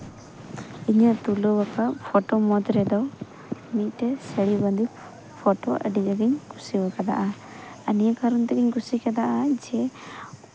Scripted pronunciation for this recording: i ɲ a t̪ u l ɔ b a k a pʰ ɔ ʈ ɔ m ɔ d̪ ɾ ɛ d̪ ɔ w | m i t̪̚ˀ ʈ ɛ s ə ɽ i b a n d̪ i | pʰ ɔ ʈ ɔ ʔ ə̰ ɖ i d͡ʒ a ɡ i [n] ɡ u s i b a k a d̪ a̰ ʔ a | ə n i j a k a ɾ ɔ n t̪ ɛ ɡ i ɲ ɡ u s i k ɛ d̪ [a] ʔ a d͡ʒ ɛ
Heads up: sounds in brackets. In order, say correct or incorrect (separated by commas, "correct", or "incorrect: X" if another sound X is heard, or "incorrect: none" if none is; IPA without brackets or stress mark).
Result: incorrect: ɲ, correct